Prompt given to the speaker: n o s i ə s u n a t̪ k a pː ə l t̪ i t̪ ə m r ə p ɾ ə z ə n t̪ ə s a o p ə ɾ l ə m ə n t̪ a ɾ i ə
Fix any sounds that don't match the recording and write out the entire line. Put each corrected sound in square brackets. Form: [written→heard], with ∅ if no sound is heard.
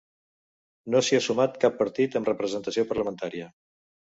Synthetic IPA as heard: n o s i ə s u [n→m] a t̪ k a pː ə [l→ɾ] t̪ i t̪ ə m r ə p ɾ ə z ə n t̪ ə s [a→i] o p ə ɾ l ə m ə n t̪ a ɾ i ə

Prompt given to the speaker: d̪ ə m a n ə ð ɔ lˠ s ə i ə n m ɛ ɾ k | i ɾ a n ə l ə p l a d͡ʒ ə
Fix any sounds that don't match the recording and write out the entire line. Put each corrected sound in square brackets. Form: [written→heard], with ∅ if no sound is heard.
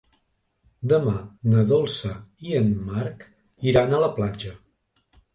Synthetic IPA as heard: d̪ ə m a n ə ð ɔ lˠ s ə i ə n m [ɛ→a] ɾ k | i ɾ a n ə l ə p l a d͡ʒ ə

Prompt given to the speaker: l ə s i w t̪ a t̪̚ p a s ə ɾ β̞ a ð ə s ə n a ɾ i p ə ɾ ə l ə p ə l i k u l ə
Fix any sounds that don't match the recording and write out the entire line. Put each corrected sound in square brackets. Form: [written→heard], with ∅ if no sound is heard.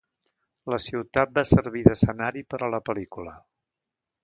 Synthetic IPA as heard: l ə s i w t̪ a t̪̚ [p→b] a s ə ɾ β̞ [a→i] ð ə s ə n a ɾ i p ə ɾ ə l ə p ə l i k u l ə

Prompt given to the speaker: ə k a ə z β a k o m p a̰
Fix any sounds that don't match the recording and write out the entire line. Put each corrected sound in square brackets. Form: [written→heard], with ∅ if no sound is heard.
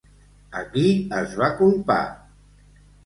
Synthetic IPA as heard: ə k [a→i] ə z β a k [o→u] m p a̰

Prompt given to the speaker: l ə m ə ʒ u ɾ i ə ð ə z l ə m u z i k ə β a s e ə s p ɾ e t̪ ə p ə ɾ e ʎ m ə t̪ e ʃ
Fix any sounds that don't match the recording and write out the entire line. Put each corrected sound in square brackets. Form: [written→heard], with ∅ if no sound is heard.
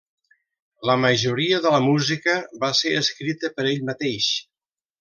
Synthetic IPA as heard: l ə m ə ʒ u ɾ i ə ð ə [z→∅] l ə m u z i k ə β a s e ə s [p→k] ɾ [e→i] t̪ ə p ə ɾ e ʎ m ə t̪ e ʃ

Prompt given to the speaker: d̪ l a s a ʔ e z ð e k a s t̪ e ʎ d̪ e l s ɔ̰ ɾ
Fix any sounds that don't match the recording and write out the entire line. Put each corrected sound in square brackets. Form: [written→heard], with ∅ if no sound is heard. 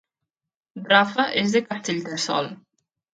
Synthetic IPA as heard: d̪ [l→ɾ] a [s→f] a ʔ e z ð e k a s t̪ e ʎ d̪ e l s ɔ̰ [ɾ→l]

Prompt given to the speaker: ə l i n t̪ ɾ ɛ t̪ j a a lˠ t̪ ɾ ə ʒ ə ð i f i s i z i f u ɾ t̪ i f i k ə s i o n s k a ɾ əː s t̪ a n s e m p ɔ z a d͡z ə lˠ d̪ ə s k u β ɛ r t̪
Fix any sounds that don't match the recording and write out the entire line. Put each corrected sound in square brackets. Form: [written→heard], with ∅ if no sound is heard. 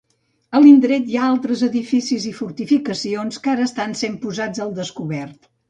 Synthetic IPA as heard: ə l i n [t̪→d̪] ɾ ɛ t̪ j a a lˠ t̪ ɾ ə [ʒ→z] ə ð i f i s i z i f u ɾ t̪ i f i k ə s i o n s k a ɾ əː s t̪ a n s e m p [ɔ→u] z a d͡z ə lˠ d̪ ə s k u β ɛ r t̪

